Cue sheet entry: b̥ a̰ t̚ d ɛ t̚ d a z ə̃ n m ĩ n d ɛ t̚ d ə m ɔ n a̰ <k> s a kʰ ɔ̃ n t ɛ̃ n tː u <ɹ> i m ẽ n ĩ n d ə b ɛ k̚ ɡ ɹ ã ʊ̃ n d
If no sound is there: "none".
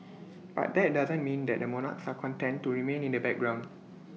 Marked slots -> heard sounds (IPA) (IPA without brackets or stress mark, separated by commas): k, ɹ